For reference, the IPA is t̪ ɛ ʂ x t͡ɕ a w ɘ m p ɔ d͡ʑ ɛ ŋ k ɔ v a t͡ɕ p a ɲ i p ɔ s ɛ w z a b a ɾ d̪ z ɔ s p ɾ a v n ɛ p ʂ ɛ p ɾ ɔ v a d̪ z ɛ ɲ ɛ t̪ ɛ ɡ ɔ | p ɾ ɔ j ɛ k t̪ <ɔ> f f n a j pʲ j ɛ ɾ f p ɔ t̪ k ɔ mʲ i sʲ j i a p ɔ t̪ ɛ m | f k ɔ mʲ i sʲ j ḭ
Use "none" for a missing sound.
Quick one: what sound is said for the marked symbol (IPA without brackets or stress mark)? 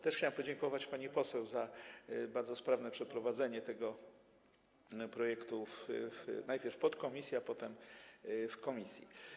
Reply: u